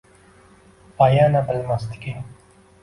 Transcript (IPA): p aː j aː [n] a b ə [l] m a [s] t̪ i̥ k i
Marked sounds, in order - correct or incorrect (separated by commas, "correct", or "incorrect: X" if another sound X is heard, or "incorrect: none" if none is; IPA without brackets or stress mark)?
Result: correct, correct, correct